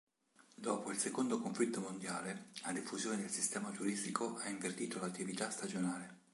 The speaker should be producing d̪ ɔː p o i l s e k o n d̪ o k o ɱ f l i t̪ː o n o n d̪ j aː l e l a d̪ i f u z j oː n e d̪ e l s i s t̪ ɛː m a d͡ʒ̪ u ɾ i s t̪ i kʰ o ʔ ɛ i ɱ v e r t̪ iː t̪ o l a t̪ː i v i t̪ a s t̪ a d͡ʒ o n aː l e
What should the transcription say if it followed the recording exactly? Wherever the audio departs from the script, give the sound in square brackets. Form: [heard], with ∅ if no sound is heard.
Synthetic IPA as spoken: d̪ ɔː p o i l s e k o n d̪ o k o ɱ f l i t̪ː o [m] o n d̪ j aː l e l a d̪ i f u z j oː n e d̪ e l s i s t̪ ɛː m a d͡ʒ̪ u ɾ i s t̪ i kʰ o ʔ [a] i ɱ v e r t̪ iː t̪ o l a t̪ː i v i t̪ a s t̪ a d͡ʒ o n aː l e